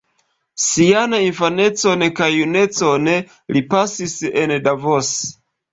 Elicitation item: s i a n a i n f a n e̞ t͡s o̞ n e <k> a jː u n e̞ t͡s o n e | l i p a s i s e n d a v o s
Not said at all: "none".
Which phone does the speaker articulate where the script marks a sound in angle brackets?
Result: k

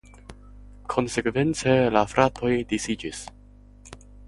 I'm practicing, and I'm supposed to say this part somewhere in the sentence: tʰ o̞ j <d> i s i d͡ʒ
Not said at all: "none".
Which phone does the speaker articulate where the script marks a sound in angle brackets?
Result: d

